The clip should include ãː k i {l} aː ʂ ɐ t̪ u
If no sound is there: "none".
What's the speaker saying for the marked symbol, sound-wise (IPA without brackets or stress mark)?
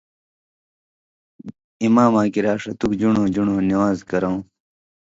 ɾ